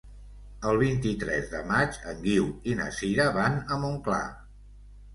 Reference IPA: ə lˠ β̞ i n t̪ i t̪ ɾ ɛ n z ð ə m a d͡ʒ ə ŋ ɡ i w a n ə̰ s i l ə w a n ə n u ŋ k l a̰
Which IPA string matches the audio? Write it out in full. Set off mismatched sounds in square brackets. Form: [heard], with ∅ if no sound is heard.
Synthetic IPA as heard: ə lˠ β̞ i n t̪ i t̪ ɾ ɛ [∅] z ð ə m a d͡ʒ ə ŋ ɡ i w [i] n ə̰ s i [ɾ] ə [β] a n ə [m] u ŋ k l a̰